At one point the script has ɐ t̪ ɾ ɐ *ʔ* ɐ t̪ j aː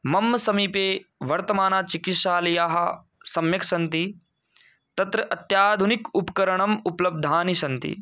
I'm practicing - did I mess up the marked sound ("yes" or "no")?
no